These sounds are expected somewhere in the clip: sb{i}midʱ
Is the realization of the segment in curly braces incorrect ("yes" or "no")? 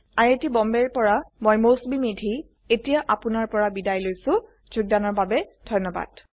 no